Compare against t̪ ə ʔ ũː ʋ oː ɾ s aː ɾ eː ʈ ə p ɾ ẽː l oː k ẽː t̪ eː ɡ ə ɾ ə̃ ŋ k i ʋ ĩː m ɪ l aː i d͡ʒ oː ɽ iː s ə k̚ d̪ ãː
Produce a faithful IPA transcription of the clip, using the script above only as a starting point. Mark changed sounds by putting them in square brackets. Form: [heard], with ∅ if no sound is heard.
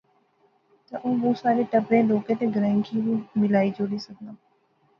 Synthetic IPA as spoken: t̪ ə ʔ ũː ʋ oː [∅] s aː ɾ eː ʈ ə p ɾ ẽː l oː k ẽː t̪ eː ɡ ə ɾ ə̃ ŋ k i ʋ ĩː m ɪ l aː i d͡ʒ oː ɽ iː s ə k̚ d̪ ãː